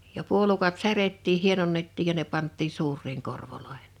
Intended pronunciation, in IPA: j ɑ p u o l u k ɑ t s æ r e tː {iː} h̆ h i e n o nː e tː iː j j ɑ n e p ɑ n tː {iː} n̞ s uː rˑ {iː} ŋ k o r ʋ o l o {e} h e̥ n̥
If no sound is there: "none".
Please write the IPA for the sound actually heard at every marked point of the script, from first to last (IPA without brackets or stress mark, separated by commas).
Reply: iː, iː, iː, e